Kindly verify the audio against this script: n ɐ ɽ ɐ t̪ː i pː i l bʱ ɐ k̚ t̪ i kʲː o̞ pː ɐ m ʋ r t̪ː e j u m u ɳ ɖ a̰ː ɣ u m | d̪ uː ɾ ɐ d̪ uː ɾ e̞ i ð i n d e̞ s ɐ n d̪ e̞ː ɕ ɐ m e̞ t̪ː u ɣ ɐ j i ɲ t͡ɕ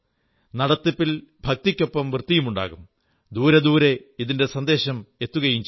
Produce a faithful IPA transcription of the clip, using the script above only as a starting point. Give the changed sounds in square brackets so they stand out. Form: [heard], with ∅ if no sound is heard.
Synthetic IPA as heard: n ɐ ɽ ɐ t̪ː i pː i l bʱ ɐ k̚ t̪ i kʲː o̞ pː ɐ m ʋ r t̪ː [i] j u m u ɳ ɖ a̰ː ɣ u m | d̪ uː ɾ ɐ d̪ uː ɾ e̞ i ð i n d e̞ s ɐ n d̪ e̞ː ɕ ɐ m e̞ t̪ː u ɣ ɐ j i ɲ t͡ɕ

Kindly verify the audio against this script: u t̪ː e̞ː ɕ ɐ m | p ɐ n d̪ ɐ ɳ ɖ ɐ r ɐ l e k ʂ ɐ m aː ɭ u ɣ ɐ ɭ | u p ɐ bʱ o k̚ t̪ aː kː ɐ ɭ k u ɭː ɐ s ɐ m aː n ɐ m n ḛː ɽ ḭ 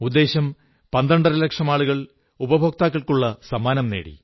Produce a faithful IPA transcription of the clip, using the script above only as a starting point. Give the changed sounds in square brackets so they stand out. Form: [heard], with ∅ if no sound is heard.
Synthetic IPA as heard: u [d̪ː] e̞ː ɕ ɐ m | p ɐ n d̪ ɐ ɳ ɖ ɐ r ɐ l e k ʂ ɐ m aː ɭ u ɣ ɐ ɭ | u [b] ɐ bʱ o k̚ t̪ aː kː ɐ ɭ k u ɭː ɐ s ɐ m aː n ɐ m n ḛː ɽ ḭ

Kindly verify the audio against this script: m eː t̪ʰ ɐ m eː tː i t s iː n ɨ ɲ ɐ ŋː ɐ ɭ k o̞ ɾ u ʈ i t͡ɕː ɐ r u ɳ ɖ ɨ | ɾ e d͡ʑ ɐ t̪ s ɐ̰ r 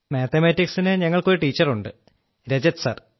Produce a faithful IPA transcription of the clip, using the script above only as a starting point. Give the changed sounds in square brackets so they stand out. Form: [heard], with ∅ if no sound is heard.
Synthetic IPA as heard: m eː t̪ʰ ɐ m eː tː i [k] s [i] n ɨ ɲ ɐ ŋː ɐ ɭ k o̞ ɾ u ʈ [iː] t͡ɕː ɐ r u ɳ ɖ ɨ | ɾ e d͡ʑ ɐ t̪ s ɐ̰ r

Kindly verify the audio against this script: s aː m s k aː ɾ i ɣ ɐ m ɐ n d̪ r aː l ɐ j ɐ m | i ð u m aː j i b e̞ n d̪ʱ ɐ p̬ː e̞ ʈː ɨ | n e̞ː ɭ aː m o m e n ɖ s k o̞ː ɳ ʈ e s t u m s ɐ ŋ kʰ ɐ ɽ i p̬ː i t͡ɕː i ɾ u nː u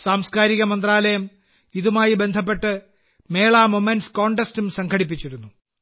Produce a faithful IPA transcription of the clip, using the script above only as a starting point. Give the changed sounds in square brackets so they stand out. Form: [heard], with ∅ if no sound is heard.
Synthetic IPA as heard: s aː m s k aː ɾ i ɣ ɐ m ɐ n d̪ r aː l ɐ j ɐ m | i ð u m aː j i b e̞ n d̪ʱ ɐ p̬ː e̞ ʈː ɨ | [m] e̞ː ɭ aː m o m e n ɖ s k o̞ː ɳ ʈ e s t u m s ɐ ŋ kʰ ɐ ɽ i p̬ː i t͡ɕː i ɾ u nː u

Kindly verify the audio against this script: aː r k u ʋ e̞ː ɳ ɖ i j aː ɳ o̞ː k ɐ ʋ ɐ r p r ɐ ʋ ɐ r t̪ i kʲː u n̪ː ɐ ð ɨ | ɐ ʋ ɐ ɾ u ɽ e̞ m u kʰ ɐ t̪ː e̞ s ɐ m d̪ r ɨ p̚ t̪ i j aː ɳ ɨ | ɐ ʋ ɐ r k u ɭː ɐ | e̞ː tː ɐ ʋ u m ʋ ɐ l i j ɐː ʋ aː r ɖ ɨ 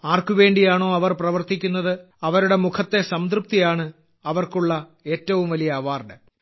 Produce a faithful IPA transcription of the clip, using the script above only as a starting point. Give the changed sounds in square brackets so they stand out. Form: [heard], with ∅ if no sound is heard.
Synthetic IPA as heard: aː r k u ʋ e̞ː ɳ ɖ i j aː ɳ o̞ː [∅] ɐ ʋ ɐ r p r ɐ ʋ ɐ r t̪ i kʲː u n̪ː ɐ ð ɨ | ɐ ʋ ɐ ɾ u ɽ e̞ m u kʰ ɐ t̪ː e̞ s ɐ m d̪ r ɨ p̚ t̪ i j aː ɳ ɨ | ɐ ʋ ɐ r k u ɭː ɐ | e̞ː tː ɐ ʋ u m ʋ ɐ l i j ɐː ʋ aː r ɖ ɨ

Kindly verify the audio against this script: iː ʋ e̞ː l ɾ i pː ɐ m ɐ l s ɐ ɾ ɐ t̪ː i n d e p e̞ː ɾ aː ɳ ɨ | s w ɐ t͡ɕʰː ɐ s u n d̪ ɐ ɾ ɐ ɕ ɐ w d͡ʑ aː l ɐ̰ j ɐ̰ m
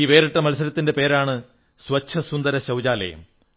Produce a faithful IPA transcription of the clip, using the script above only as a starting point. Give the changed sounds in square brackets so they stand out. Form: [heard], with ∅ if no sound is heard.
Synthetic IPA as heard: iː ʋ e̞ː [∅] ɾ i [ʈː] ɐ m ɐ l s ɐ ɾ ɐ t̪ː i n d e p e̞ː ɾ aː ɳ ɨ | s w ɐ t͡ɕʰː ɐ s u n d̪ ɐ ɾ ɐ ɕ ɐ w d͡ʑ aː l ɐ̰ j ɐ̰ m

